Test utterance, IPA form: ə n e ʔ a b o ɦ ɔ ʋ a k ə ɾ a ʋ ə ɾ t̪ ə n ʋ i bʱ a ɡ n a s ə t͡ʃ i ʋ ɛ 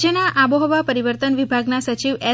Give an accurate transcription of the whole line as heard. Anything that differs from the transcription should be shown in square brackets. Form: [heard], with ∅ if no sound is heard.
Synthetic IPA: ə n [a] ʔ a b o ɦ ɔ ʋ a [p] ə ɾ [i] ʋ ə ɾ t̪ ə n ʋ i bʱ a ɡ n a s ə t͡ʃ i ʋ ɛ